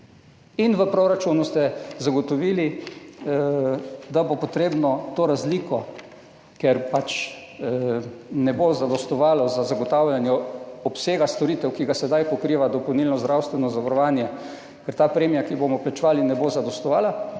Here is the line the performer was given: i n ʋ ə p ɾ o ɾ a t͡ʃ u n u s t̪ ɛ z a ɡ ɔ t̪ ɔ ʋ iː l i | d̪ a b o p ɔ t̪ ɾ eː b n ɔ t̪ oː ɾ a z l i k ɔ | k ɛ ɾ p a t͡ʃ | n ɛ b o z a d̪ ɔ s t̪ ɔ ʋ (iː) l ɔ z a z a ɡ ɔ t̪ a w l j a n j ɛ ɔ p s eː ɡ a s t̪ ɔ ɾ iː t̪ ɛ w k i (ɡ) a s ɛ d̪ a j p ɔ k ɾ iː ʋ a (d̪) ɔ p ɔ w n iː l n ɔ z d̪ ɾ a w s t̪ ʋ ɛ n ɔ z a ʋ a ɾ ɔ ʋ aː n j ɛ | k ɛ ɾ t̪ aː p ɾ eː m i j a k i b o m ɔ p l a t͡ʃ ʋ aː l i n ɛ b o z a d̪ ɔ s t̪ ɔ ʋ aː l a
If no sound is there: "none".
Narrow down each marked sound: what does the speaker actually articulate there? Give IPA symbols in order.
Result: aː, ɡ, d̪

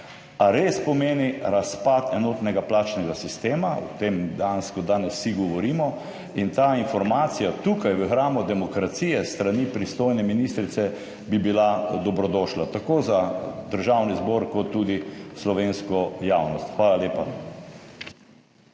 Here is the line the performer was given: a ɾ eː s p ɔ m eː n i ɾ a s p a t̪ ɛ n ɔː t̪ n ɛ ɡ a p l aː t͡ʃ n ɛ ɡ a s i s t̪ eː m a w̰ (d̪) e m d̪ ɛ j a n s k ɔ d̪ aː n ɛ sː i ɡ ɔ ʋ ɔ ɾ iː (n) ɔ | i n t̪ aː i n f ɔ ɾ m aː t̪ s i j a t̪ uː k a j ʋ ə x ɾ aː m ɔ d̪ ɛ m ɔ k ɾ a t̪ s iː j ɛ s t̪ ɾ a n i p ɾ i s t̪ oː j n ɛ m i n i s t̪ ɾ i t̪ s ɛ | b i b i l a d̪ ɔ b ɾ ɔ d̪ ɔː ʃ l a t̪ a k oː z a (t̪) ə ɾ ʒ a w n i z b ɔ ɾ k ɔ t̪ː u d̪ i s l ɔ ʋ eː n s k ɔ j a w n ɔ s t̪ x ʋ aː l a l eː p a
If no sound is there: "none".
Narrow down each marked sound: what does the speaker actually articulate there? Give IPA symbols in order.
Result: t̪, m, d̪

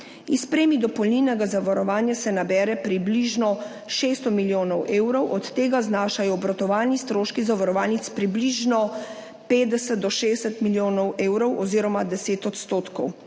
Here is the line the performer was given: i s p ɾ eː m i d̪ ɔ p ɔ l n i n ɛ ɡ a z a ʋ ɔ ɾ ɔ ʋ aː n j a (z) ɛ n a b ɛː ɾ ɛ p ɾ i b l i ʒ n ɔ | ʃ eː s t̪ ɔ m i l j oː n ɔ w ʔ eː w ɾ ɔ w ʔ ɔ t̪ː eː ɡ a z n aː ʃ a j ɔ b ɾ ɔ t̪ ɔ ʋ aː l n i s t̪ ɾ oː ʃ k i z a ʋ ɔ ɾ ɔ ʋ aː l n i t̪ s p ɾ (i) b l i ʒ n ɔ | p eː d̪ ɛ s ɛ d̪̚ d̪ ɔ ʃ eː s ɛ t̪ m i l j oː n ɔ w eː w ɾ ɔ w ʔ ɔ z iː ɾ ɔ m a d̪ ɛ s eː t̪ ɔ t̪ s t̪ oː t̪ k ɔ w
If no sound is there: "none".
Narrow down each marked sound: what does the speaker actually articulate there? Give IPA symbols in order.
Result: s, i

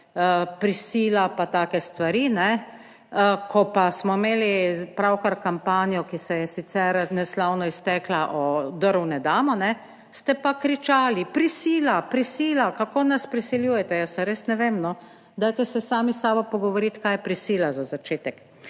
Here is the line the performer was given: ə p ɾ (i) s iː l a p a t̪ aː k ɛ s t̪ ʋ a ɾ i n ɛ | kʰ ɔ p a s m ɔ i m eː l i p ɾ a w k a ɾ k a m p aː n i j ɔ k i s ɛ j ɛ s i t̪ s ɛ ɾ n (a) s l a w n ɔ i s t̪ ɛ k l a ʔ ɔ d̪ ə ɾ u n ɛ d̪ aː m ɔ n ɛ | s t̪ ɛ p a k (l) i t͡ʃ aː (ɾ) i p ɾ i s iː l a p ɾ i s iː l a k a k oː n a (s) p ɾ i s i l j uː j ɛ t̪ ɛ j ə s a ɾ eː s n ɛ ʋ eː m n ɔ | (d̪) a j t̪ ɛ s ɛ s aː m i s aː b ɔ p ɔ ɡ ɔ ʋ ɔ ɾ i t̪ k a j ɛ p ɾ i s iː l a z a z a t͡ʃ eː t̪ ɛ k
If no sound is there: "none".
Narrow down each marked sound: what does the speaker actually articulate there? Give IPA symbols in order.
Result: i, ɛ, ɾ, l, s, d̪

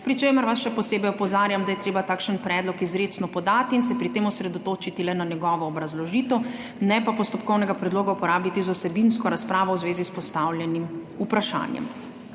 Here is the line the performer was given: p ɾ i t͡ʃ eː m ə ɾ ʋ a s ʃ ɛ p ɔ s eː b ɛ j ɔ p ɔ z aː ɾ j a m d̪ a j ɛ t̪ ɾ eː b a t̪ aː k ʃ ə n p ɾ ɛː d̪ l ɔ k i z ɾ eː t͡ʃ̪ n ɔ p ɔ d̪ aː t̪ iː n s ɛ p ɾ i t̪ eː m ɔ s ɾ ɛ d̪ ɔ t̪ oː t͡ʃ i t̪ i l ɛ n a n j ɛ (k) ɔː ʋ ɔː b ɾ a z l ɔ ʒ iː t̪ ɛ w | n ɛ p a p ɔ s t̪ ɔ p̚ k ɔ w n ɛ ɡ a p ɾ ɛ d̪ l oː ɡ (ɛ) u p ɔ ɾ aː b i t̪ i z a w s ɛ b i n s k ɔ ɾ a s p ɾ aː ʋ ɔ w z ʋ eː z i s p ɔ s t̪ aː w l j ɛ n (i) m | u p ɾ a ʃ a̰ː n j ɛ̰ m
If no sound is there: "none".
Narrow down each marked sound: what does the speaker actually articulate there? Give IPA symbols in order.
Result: ɡ, a, i

